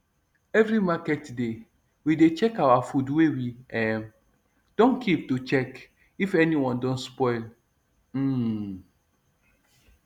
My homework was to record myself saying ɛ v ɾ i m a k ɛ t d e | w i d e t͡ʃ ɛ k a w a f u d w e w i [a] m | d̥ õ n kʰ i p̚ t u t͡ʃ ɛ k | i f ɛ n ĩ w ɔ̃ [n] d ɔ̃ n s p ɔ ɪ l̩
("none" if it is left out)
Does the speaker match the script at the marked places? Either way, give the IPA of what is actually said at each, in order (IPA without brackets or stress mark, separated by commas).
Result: ɛ, n